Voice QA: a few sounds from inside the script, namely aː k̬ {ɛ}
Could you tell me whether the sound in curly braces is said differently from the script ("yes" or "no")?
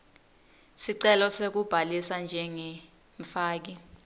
yes